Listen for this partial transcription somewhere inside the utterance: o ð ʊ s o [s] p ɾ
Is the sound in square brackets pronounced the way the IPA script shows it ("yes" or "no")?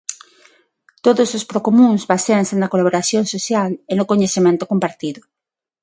yes